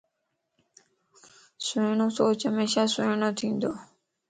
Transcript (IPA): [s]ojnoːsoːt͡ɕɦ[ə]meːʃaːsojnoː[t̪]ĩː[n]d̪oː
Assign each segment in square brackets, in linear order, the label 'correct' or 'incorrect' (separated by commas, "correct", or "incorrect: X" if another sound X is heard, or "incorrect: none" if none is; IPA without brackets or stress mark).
correct, correct, incorrect: t̪ʰ, correct